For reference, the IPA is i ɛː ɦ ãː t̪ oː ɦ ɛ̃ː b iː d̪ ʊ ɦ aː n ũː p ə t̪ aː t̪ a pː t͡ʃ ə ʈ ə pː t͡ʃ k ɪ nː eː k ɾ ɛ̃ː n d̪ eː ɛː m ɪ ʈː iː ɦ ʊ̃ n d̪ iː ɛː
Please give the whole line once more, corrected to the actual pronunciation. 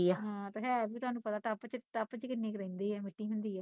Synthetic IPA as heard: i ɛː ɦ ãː t̪ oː ɦ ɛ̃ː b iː t̪ ʊ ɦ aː n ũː p ə t̪ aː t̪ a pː t͡ʃ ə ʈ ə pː t͡ʃ k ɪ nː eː k ɾ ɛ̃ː n d̪ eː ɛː m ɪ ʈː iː ɦ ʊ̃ n d̪ iː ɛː